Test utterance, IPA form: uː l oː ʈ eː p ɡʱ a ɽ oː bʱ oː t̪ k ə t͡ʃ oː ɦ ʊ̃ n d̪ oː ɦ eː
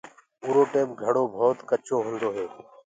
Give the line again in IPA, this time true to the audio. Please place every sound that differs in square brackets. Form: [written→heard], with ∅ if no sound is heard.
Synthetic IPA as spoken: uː [l→ɾ] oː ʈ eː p ɡʱ [a→ə] ɽ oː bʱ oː t̪ k ə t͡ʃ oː ɦ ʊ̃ n d̪ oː ɦ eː

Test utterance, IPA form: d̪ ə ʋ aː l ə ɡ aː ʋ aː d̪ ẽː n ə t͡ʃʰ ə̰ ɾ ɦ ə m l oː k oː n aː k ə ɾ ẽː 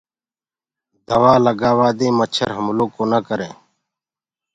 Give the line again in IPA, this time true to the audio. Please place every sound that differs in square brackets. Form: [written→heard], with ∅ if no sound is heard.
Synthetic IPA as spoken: d̪ ə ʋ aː l ə ɡ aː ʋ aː d̪ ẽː [n→m] ə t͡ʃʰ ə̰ ɾ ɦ ə m l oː k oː n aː k ə ɾ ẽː

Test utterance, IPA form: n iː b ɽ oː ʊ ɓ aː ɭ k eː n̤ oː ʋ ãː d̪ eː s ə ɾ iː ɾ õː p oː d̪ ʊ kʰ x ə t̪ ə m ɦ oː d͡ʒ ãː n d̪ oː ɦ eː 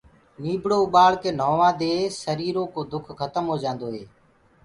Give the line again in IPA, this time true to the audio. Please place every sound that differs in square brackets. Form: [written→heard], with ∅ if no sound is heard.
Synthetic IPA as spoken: n iː b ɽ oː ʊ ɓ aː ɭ k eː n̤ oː ʋ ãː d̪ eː s ə ɾ iː ɾ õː [p→k] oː d̪ ʊ kʰ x ə t̪ ə m ɦ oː d͡ʒ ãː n d̪ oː ɦ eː

